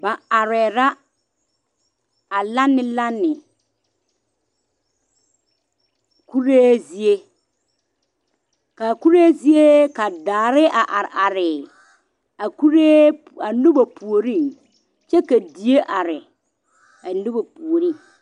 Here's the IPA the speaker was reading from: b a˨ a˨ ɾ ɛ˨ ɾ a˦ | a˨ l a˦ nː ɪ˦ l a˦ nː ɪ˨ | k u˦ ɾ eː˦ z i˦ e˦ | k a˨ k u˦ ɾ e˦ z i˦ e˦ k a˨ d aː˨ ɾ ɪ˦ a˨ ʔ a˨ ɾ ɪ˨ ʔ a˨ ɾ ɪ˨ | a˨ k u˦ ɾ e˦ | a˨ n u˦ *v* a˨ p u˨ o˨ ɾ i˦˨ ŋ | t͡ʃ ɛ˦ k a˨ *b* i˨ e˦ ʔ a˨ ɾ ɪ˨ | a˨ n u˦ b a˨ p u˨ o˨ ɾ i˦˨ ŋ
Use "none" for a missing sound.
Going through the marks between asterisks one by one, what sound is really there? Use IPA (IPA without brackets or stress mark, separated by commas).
b, d